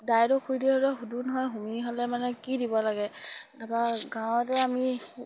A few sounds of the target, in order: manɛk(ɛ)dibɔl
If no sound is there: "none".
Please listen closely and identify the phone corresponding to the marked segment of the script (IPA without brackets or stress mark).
i